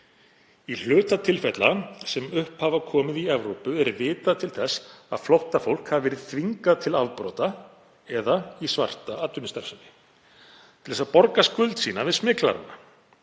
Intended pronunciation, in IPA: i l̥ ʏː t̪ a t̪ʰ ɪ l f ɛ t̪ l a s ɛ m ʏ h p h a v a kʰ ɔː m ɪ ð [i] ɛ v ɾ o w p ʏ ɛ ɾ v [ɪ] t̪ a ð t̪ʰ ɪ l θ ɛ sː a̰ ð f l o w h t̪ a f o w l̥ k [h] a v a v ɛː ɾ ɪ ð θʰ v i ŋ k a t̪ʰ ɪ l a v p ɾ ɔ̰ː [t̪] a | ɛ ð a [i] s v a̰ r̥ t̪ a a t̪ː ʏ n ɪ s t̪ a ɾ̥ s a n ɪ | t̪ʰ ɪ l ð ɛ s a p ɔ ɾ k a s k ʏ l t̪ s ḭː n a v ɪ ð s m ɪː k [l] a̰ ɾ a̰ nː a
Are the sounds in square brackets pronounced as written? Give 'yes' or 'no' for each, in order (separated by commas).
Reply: yes, no, yes, yes, yes, yes